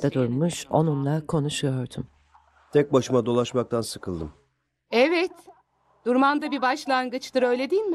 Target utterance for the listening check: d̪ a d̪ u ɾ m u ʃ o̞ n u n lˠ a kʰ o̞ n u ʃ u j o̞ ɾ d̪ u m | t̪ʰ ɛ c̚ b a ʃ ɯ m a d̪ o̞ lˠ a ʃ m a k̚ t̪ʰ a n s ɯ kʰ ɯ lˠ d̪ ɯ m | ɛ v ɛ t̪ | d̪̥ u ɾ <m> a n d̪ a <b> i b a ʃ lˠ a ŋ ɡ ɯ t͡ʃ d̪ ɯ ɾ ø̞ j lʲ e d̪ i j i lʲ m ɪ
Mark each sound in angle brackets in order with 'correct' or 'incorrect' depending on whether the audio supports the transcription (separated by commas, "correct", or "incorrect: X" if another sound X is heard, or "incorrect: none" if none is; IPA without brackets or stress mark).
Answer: correct, correct